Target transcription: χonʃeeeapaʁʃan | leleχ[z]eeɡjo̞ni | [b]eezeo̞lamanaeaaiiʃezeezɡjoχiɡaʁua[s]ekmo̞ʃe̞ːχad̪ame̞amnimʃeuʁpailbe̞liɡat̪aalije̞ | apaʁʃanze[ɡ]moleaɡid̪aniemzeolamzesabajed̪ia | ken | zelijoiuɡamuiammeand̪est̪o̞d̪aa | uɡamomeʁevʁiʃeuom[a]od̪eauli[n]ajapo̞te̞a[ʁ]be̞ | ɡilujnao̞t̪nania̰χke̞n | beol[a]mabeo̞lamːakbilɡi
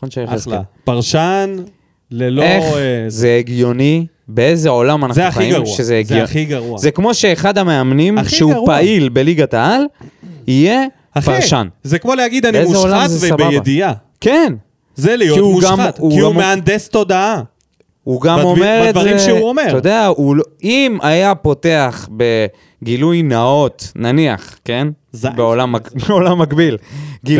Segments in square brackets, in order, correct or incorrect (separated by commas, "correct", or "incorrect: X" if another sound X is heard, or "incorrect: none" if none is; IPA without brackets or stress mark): correct, correct, incorrect: z, incorrect: k, incorrect: e, incorrect: m, incorrect: χ, correct